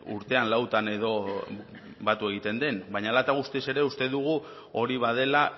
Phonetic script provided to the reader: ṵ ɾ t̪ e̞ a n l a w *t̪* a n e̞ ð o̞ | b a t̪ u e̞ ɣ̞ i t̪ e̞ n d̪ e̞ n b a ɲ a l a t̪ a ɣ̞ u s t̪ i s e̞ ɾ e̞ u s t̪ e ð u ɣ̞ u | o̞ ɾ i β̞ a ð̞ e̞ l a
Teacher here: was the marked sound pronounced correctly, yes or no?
yes